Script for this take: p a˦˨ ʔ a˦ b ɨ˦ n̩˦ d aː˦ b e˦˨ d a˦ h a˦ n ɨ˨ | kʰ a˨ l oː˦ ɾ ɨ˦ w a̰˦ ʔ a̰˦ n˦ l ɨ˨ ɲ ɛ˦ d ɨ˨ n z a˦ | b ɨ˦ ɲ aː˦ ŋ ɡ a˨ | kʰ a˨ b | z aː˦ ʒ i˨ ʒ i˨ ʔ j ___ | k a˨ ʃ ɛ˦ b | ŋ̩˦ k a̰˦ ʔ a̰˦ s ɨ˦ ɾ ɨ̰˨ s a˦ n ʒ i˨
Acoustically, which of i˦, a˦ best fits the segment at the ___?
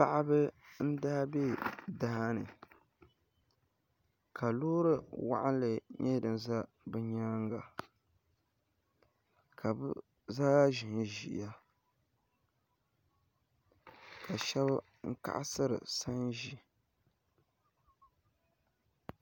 a˦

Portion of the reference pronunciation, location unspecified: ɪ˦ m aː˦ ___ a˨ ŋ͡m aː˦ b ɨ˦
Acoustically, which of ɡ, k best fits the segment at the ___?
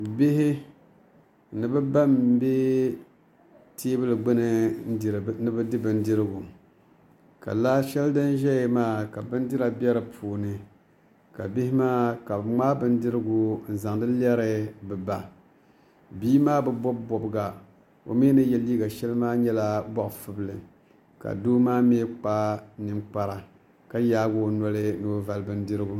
k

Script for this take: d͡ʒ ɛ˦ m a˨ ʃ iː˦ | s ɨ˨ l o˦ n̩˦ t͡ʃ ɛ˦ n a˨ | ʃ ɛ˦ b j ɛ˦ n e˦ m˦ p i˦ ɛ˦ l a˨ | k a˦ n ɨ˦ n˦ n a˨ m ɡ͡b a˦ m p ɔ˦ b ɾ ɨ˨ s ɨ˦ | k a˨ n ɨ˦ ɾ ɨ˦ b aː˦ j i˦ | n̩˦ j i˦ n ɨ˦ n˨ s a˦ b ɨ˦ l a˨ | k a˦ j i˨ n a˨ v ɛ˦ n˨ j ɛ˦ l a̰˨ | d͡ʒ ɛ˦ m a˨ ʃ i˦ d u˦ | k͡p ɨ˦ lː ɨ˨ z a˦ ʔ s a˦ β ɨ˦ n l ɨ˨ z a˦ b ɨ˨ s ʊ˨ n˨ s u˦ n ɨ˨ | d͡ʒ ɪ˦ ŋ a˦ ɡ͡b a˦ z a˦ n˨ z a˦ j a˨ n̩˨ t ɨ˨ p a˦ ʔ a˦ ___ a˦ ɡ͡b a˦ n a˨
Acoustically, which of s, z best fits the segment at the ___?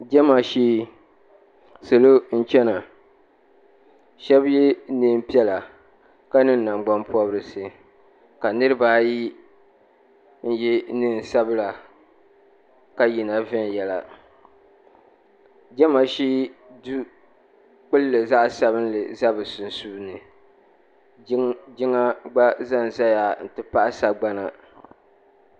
s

